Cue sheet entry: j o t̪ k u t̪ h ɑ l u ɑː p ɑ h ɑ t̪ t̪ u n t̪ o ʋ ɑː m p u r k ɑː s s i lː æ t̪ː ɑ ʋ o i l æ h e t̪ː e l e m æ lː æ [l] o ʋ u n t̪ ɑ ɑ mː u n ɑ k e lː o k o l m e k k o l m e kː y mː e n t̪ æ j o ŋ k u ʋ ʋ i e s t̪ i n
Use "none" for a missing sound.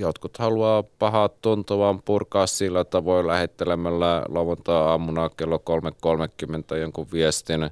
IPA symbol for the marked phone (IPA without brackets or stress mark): l